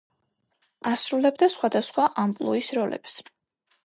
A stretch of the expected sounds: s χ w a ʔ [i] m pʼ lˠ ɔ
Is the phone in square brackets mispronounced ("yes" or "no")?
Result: yes